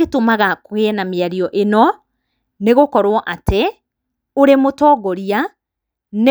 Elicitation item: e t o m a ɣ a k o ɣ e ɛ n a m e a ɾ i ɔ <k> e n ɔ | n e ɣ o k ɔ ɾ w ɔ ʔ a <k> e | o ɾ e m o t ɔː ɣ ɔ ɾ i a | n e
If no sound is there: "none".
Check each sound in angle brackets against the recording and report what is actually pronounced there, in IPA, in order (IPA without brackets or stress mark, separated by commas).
ʔ, t